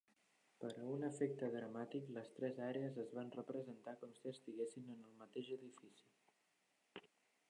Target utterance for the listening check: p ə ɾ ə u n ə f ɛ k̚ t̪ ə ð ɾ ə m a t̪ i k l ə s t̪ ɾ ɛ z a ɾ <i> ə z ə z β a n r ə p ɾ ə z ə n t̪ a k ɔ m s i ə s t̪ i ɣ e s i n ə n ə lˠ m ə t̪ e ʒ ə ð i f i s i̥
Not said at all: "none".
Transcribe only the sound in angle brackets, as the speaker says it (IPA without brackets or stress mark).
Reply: e